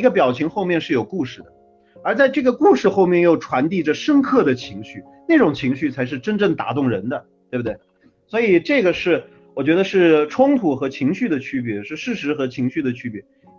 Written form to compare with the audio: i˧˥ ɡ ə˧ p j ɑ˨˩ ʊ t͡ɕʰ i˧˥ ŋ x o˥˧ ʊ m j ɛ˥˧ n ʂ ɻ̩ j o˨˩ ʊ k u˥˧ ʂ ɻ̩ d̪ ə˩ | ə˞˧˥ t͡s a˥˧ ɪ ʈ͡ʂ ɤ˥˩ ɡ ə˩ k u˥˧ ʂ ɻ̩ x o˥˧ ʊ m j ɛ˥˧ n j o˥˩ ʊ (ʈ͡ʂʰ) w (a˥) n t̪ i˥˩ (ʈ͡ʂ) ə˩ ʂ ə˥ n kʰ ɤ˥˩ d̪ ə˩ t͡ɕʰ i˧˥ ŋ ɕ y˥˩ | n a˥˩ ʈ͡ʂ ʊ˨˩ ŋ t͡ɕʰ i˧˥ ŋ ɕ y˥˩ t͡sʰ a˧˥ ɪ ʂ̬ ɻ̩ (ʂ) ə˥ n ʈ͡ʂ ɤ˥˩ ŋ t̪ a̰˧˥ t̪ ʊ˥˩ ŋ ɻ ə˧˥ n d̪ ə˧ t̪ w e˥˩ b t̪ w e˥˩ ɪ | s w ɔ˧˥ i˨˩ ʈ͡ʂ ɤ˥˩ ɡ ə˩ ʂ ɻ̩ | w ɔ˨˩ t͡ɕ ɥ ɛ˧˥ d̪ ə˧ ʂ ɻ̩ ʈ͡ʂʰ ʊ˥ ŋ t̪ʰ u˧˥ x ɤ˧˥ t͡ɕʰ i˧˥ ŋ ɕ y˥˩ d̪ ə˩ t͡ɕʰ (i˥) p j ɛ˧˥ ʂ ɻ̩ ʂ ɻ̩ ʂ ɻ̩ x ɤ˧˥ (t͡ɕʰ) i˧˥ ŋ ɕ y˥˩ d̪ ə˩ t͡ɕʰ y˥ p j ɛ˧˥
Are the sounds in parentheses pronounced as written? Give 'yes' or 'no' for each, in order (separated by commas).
yes, no, yes, no, no, yes